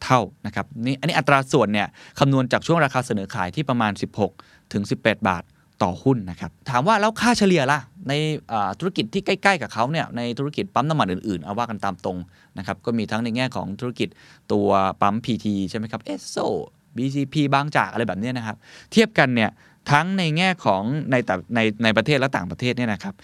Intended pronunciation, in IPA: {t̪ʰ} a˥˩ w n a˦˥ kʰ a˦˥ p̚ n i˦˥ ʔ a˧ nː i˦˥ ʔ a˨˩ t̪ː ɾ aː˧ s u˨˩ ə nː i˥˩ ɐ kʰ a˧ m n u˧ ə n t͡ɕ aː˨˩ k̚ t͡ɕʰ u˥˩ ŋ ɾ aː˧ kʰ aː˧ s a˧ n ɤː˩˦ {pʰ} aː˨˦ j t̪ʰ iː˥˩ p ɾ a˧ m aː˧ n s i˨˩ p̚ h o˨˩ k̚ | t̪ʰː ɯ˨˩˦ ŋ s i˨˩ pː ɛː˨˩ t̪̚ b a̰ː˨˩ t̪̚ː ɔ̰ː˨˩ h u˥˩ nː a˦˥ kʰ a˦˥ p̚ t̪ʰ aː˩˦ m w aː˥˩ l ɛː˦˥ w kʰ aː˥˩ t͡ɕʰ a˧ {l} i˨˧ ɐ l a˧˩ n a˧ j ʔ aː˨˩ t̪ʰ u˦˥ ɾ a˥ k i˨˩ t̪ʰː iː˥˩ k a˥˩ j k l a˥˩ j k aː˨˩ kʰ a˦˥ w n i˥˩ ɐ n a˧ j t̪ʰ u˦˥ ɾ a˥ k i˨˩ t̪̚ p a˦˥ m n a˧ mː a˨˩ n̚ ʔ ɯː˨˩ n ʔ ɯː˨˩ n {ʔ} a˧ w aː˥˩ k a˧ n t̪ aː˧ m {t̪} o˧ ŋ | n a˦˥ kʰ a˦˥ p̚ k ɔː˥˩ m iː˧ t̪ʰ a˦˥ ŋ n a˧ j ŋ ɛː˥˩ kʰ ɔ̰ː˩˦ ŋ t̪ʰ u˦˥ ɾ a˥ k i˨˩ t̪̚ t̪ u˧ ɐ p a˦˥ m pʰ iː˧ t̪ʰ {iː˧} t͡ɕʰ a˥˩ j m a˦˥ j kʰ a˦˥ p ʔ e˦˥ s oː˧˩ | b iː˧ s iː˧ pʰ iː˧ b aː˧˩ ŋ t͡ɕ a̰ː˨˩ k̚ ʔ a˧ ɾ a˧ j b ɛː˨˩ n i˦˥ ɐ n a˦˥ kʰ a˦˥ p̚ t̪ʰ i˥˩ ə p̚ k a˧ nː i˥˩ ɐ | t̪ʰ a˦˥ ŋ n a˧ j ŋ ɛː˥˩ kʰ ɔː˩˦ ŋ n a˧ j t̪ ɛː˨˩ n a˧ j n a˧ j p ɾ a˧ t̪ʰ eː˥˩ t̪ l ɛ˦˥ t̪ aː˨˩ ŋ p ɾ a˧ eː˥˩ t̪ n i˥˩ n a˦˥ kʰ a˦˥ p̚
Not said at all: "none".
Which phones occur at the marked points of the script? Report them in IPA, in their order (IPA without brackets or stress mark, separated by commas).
t̪ʰ, kʰ, l, ʔ, t̪, iː˧